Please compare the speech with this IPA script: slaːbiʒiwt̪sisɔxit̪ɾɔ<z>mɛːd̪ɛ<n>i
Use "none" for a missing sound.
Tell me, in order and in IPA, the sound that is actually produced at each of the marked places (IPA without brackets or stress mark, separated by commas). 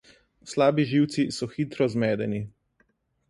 z, n